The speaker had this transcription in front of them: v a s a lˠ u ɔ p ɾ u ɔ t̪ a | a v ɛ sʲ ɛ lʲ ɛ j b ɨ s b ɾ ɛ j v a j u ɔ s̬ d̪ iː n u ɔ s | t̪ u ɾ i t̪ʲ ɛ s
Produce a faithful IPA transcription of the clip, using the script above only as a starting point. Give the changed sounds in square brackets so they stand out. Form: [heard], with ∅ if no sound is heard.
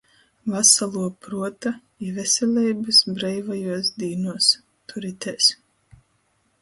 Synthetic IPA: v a s a lˠ u ɔ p ɾ u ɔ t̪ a | [i] v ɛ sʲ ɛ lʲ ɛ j b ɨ s b ɾ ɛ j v a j u ɔ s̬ d̪ iː n u ɔ s | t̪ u ɾ i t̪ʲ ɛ s